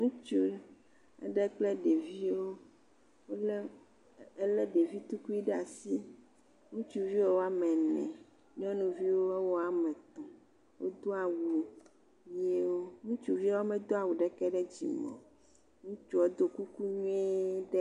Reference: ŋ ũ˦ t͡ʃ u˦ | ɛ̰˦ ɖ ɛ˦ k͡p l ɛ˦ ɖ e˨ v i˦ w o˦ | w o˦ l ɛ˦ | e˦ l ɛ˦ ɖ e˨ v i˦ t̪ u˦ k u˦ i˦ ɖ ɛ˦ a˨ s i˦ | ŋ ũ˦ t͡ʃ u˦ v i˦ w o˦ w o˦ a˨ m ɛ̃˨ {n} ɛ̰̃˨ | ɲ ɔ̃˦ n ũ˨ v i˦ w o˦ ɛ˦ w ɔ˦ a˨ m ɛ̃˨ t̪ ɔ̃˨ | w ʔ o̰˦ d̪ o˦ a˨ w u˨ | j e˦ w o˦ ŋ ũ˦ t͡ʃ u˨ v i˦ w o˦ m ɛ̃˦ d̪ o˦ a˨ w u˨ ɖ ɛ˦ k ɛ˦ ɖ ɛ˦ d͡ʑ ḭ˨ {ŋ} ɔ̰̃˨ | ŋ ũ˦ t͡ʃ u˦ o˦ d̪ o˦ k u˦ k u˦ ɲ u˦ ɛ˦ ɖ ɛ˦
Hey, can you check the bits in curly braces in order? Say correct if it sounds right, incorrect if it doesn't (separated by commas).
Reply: correct, incorrect